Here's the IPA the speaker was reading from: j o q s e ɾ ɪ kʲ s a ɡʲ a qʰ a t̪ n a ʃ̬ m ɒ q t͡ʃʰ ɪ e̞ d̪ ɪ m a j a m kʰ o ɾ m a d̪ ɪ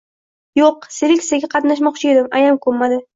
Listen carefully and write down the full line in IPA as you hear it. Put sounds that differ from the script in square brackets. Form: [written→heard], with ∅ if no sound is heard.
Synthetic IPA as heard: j o q s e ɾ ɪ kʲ s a ɡʲ a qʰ [a→ɑ] t̪ n a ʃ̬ m ɒ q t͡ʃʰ ɪ e̞ d̪ ɪ m a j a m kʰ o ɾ m a d̪ ɪ